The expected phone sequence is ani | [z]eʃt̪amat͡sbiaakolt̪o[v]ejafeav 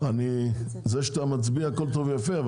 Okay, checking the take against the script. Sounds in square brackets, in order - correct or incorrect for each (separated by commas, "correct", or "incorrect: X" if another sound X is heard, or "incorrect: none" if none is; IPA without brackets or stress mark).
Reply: correct, correct